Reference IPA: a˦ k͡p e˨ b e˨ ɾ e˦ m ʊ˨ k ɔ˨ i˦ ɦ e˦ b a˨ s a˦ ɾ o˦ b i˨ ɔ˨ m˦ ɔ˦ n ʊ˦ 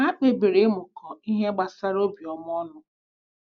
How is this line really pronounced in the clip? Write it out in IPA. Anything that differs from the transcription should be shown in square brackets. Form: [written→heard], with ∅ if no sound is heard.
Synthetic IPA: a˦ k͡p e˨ b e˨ ɾ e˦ m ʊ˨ k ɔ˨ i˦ ɦ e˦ [b→ɡ͡b] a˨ s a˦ ɾ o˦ b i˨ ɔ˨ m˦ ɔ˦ n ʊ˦